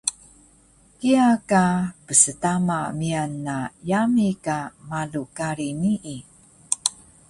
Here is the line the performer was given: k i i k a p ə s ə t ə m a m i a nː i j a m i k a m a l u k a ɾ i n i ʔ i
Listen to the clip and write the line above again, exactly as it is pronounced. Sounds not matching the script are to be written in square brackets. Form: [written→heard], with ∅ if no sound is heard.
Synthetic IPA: k i [i→a] k a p ə s ə t [ə→a] m a m i a nː [i→a] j a m i k a m a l u k a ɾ i n i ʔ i